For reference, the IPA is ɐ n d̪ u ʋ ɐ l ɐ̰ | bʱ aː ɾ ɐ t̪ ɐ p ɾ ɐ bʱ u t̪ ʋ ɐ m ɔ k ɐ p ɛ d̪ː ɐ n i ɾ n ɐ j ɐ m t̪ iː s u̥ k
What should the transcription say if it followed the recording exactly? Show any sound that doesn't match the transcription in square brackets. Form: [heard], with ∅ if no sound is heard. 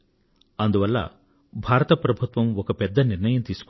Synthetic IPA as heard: ɐ n d̪ u ʋ ɐ [lː] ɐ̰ | bʱ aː ɾ ɐ t̪ ɐ p ɾ ɐ bʱ u t̪ ʋ ɐ m ɔ k ɐ p ɛ d̪ː ɐ n i ɾ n ɐ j ɐ m t̪ iː s u̥ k